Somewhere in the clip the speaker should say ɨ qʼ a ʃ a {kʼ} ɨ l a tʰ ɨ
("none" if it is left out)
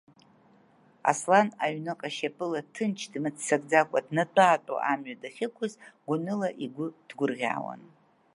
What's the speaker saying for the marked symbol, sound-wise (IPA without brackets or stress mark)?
pʼ